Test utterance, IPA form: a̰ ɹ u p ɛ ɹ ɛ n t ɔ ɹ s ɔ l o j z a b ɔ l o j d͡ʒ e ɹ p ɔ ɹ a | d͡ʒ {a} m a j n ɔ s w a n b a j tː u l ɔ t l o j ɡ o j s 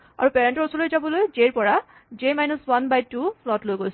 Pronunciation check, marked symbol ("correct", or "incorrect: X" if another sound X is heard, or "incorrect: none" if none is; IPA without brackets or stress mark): incorrect: e